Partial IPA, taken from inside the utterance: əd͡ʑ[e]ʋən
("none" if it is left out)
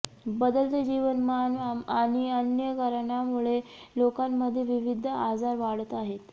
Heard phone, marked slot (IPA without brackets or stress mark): i